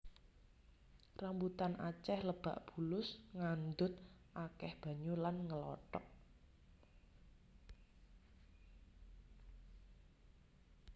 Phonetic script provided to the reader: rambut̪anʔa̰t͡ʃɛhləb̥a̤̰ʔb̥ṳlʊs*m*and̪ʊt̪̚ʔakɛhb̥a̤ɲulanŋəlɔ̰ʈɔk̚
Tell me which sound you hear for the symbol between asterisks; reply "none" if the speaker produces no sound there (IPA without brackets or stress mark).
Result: ŋ